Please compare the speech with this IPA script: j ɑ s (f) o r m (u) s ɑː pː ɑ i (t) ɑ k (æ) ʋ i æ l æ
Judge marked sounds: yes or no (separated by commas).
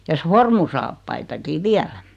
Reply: yes, yes, yes, no